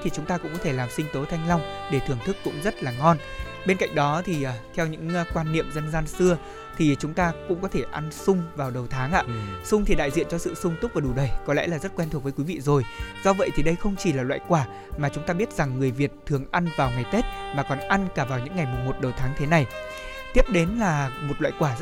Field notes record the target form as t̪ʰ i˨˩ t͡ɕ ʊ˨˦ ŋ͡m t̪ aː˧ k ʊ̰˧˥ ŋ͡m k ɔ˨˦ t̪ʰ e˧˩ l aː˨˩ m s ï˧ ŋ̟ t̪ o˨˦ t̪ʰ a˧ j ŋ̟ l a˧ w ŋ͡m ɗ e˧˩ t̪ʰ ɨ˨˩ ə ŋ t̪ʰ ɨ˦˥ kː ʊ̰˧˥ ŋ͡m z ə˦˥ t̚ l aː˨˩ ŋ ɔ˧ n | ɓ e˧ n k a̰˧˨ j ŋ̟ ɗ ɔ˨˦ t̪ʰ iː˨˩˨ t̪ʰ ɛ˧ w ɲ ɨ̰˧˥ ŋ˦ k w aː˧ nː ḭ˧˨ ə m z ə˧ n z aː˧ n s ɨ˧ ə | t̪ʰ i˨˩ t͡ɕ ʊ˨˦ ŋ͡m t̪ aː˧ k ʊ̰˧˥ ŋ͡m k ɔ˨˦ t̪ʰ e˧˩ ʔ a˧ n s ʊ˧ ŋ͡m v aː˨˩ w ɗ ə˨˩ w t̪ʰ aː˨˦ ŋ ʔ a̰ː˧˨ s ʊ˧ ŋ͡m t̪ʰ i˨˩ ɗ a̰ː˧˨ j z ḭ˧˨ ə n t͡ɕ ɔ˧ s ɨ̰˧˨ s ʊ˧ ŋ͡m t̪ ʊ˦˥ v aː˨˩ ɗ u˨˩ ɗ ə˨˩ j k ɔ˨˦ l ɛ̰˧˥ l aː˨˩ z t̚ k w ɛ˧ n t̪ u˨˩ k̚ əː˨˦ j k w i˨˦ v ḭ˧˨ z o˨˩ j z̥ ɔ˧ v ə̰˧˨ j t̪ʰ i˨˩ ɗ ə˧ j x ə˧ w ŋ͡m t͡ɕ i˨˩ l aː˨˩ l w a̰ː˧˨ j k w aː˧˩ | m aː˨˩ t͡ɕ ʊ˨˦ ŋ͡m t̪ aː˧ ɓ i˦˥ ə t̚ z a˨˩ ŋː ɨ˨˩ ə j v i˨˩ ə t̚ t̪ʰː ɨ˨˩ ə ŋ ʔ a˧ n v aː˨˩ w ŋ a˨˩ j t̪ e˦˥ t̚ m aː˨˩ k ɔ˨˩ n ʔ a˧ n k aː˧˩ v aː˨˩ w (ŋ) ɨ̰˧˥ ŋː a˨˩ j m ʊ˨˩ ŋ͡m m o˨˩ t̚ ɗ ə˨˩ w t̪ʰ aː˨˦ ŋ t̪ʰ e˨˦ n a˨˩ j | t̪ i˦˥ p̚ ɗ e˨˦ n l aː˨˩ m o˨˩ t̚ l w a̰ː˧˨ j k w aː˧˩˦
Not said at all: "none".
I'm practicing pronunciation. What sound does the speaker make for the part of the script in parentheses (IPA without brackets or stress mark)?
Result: ɲ